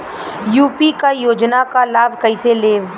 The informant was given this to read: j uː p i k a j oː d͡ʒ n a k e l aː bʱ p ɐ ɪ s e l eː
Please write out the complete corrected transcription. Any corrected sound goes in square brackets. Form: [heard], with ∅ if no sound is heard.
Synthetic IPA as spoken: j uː p i k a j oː d͡ʒ n a k [a] l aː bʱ [k] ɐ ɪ s e l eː